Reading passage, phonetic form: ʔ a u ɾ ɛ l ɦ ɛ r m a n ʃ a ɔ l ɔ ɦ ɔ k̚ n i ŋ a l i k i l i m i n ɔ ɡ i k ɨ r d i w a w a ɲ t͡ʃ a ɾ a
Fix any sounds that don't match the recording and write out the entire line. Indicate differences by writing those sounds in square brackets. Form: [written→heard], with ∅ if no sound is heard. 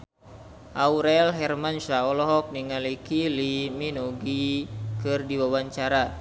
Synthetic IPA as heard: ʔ a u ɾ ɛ l ɦ ɛ r m a n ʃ a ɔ l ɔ ɦ ɔ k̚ n i ŋ a l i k i l i m i n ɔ ɡ i k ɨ r d i w a w a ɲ t͡ʃ a ɾ a